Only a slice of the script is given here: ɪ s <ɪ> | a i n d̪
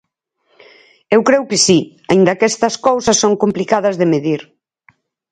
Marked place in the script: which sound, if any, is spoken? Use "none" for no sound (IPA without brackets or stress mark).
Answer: i